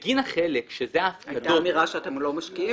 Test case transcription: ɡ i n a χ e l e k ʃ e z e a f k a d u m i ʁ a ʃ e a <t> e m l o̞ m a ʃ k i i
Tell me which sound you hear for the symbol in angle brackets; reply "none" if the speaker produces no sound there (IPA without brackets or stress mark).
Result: t